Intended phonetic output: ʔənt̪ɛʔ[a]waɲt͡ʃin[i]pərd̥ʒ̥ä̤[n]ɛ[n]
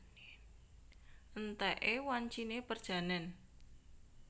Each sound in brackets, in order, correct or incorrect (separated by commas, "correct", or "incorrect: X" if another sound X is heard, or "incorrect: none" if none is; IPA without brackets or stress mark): incorrect: e, incorrect: e, correct, correct